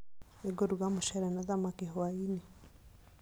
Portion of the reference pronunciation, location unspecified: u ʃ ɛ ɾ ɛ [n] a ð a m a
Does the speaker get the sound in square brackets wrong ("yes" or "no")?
no